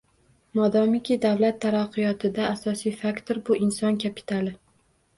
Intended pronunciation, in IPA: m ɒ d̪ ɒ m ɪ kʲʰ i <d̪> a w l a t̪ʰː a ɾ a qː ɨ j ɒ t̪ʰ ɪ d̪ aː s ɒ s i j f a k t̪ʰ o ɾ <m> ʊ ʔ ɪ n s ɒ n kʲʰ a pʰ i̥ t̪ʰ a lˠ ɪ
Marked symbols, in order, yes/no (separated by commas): yes, no